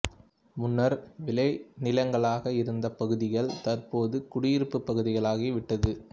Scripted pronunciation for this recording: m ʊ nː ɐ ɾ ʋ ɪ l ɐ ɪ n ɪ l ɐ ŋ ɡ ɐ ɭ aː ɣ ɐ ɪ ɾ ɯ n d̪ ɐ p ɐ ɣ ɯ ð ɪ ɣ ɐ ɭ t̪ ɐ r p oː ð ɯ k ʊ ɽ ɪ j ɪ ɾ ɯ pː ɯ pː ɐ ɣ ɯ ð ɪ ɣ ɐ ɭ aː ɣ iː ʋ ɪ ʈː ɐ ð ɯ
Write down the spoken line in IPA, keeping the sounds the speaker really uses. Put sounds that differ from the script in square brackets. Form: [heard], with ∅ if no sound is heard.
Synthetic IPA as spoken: m ʊ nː ɐ ɾ ʋ ɪ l ɐ ɪ n ɪ l ɐ ŋ ɡ ɐ ɭ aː ɣ ɐ ɪ ɾ ɯ n d̪ ɐ p ɐ ɣ ɯ ð ɪ ɣ ɐ ɭ t̪ ɐ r p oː ð ɯ k ʊ ɽ ɪ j ɪ ɾ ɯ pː ɯ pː ɐ ɣ ɯ ð ɪ ɣ ɐ ɭ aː ɣ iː ʋ ɪ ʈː ɐ ð ɯ